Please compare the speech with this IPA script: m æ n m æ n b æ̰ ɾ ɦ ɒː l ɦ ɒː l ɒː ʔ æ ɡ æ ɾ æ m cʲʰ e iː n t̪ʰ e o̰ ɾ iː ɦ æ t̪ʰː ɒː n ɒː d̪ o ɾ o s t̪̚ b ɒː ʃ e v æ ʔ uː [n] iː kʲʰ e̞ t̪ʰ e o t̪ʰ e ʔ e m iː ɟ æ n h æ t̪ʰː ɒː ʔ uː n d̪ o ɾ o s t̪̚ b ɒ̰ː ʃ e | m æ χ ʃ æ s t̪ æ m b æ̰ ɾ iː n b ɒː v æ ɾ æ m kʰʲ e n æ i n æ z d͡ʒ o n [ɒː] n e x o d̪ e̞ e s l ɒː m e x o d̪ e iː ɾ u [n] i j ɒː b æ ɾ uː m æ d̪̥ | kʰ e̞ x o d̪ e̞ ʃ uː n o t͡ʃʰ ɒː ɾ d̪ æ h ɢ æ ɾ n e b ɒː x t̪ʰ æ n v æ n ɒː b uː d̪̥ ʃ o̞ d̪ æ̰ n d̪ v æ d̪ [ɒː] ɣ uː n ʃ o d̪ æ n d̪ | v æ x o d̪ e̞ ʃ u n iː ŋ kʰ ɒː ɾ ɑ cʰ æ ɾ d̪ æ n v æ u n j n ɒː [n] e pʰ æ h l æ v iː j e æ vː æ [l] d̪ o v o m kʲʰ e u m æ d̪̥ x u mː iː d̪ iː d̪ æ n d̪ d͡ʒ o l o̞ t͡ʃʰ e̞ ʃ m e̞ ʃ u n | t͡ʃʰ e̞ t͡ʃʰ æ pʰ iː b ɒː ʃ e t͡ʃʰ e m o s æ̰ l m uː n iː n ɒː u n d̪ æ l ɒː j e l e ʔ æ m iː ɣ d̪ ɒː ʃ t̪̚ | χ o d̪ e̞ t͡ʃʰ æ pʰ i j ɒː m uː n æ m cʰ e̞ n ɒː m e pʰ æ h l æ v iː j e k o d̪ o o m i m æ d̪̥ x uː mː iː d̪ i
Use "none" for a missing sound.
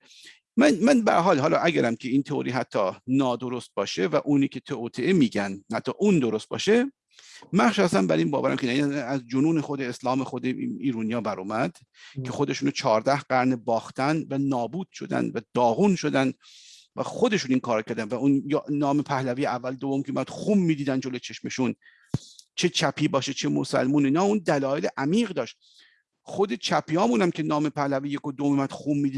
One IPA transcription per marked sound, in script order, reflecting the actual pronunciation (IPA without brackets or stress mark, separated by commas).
n, uː, n, ɒː, m, l